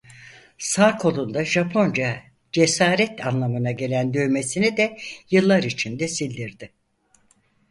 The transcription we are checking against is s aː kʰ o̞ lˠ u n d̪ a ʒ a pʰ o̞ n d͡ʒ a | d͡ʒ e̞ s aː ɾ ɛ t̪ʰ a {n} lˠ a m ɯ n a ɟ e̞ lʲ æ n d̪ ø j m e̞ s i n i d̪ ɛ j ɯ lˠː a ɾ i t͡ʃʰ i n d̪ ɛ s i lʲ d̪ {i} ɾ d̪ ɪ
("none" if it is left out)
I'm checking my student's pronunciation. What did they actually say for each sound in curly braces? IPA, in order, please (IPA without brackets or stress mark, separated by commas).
n, i